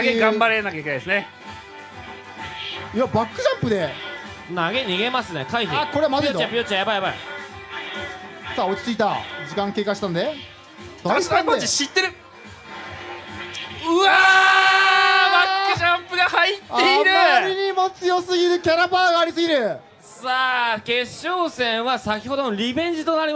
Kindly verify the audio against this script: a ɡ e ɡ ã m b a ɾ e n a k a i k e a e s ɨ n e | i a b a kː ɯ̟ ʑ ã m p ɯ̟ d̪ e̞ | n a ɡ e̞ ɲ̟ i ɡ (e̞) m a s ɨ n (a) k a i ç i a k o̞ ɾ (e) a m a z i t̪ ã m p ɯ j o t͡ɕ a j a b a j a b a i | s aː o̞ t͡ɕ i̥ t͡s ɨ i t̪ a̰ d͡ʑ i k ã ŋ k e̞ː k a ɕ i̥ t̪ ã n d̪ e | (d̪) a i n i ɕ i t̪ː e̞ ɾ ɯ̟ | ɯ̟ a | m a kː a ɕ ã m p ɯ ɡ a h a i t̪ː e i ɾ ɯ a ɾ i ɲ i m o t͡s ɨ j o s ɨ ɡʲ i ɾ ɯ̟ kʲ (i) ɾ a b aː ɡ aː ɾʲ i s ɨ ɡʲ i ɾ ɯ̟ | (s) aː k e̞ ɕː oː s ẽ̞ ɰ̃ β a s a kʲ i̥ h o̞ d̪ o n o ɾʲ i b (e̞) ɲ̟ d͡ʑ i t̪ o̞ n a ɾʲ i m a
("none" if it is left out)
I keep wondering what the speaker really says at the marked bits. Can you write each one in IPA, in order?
e̞, e, e, d̪, a, s, ẽ̞

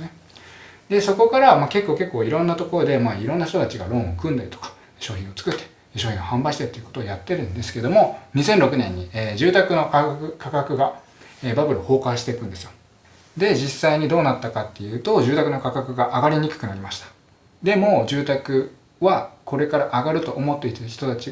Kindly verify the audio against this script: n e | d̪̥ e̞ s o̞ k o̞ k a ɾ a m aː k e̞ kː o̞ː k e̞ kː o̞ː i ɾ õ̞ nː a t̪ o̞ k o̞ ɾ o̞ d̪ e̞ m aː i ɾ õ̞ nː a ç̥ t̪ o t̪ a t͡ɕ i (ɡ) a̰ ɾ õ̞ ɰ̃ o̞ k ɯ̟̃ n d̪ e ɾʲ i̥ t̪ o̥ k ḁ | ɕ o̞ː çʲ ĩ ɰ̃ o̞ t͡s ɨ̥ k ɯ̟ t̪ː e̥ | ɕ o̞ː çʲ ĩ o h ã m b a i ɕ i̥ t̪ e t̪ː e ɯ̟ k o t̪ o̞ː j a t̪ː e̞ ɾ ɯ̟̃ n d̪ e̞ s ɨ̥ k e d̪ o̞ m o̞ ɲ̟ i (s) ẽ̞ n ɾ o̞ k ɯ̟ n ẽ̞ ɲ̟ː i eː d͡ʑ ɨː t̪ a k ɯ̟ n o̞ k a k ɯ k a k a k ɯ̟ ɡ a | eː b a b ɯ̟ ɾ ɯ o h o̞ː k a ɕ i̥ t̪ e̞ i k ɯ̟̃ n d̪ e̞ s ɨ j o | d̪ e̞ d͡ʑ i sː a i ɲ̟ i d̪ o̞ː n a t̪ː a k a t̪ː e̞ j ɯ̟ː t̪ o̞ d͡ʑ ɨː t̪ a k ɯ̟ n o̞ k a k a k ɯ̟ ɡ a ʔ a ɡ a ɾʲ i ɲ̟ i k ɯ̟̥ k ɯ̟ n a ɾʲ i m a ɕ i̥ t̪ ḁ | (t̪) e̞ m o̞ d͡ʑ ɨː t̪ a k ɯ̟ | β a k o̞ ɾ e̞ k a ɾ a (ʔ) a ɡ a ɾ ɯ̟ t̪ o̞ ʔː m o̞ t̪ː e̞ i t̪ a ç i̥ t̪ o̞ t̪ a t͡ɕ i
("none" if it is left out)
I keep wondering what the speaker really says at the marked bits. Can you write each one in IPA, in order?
ɡ, s, d̪, ʔ

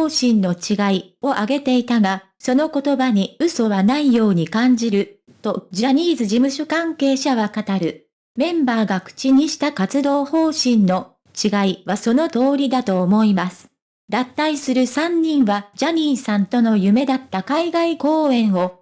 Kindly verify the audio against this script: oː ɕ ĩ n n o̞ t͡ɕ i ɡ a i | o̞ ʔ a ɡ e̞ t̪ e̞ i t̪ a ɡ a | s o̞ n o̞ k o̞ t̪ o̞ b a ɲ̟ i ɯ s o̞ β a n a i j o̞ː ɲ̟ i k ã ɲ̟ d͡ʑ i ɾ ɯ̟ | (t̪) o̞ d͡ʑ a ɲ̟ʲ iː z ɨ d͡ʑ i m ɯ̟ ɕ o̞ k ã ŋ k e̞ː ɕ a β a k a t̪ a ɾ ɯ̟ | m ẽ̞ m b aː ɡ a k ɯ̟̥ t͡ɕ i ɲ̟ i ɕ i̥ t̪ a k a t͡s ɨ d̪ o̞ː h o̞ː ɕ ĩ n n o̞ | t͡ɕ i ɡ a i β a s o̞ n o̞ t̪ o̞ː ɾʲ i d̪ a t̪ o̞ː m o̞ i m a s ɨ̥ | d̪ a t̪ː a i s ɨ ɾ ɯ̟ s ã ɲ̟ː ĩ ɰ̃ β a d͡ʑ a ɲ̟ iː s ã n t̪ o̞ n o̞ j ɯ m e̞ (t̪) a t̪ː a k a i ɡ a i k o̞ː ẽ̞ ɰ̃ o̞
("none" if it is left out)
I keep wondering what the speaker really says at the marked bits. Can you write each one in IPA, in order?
t̪, d̪

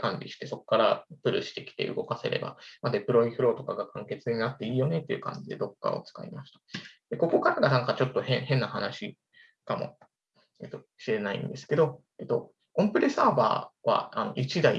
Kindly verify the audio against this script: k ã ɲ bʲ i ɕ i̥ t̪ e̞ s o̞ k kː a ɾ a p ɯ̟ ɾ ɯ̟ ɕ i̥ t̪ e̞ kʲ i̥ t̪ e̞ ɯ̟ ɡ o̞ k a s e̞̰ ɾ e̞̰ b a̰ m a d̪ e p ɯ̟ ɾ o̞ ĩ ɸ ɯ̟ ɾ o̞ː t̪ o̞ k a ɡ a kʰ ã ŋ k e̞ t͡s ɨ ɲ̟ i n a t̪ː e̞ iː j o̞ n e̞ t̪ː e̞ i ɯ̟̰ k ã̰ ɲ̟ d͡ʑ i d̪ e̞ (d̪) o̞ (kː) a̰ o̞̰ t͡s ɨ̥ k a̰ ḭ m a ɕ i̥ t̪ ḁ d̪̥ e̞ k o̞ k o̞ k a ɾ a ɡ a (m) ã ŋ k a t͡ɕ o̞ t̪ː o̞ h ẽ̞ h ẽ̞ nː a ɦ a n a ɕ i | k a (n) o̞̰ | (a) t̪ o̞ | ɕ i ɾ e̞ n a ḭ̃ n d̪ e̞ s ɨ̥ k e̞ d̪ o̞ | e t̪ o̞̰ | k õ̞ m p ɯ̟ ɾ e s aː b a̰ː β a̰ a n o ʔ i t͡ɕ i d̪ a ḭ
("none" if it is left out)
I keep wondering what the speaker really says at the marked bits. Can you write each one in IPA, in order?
d̪, kː, n, m, e

